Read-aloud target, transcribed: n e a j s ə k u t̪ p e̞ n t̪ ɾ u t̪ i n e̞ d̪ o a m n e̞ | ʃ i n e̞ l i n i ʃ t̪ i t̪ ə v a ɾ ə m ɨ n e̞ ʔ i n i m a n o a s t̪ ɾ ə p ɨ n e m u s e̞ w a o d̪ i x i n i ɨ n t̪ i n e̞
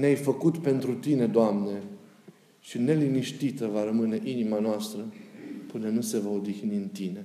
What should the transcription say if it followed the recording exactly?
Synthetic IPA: n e a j f ə k u t̪ p e̞ n t̪ ɾ u t̪ i n e̞ d̪ o a m n e̞ | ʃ i n e̞ l i n i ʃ t̪ i t̪ ə v a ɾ ə m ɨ n e̞ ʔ i n i m a n o a s t̪ ɾ ə p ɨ n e n u s e̞ v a o d̪ i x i n i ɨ n t̪ i n e̞